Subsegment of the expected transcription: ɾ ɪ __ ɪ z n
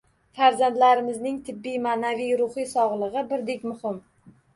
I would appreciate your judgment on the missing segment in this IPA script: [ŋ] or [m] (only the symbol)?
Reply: m